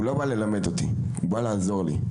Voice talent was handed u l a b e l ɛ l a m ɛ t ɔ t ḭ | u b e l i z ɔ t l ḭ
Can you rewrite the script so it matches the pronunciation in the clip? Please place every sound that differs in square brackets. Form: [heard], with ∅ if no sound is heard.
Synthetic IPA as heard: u l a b [a] l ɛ l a m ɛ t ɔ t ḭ | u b [a] l [a] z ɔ [∅] l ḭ